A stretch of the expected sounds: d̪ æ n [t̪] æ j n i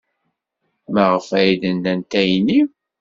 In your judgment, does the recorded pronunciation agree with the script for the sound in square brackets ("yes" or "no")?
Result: yes